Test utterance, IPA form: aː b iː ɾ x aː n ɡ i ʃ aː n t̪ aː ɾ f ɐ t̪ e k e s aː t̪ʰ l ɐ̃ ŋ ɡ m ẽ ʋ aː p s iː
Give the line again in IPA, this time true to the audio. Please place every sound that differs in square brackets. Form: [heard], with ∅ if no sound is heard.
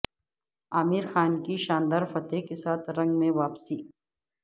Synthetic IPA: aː [m] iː ɾ x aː n [k] i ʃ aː n [d̪] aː ɾ f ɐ t̪ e k e s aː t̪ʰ [ɾ] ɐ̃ ŋ ɡ m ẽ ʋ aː p s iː